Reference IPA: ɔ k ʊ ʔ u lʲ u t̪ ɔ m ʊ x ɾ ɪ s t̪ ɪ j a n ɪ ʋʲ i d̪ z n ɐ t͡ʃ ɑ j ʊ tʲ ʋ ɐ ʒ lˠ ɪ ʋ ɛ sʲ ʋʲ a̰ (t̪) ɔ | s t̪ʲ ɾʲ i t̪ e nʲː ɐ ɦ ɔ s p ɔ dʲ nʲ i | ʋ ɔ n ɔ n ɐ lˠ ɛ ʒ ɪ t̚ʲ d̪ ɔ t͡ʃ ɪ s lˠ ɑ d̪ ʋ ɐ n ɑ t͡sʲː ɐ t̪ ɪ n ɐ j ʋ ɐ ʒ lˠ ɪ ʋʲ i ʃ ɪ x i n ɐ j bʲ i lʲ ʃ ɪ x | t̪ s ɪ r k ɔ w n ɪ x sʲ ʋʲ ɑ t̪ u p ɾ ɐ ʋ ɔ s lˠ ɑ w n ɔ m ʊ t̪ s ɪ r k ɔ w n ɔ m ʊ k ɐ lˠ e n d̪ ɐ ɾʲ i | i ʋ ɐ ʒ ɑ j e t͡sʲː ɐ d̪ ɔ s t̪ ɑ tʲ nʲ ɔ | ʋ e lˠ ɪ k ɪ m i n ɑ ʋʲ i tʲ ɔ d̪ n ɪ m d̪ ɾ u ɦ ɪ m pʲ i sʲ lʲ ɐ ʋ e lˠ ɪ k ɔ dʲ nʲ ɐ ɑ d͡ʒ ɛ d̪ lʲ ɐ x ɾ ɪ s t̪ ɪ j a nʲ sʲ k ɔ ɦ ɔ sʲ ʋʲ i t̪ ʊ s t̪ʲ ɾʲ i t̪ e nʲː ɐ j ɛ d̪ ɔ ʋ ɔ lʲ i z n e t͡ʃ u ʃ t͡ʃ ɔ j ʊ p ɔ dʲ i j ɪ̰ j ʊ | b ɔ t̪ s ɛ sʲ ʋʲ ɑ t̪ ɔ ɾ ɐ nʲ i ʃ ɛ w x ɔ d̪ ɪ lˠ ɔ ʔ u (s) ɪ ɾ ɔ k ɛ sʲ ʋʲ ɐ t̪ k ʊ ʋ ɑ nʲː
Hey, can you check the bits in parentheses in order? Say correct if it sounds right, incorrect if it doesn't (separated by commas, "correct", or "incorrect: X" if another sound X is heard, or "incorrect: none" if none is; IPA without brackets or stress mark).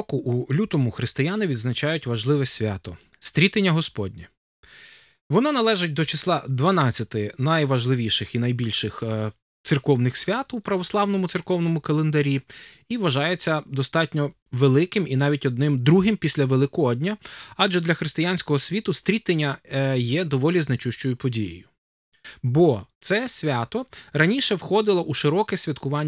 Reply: correct, incorrect: ʃ